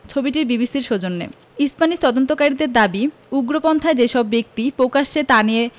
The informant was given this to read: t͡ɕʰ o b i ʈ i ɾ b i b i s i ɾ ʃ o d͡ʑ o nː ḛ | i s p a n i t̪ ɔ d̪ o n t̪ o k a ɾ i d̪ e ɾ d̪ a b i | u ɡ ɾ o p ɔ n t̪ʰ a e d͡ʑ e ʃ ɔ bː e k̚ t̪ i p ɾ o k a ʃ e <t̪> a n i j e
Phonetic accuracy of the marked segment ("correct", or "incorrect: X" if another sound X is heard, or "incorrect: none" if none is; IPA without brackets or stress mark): correct